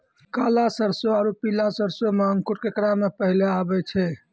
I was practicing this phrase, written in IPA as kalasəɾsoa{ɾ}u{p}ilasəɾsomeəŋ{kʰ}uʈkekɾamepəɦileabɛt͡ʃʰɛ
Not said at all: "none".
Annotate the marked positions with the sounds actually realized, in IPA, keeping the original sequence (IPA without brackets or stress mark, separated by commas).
ɾ, p, k